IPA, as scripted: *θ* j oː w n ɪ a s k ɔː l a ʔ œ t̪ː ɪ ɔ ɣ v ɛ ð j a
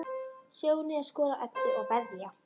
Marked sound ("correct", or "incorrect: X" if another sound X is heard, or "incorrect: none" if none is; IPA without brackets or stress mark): incorrect: s